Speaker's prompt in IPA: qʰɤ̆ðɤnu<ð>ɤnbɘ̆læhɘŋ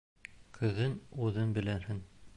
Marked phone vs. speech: correct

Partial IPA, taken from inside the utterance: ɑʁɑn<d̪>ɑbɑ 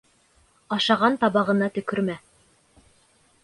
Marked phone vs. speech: incorrect: t̪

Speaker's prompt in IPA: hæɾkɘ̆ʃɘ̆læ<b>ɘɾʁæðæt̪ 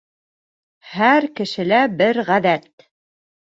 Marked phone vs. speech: correct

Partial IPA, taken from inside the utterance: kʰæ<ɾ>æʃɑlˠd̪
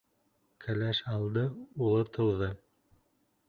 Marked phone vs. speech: incorrect: l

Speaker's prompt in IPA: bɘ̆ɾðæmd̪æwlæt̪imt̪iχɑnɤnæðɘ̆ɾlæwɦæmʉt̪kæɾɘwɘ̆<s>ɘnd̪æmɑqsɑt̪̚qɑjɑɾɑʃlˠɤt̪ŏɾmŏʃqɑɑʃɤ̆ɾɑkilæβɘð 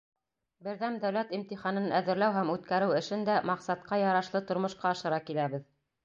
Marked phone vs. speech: incorrect: ʃ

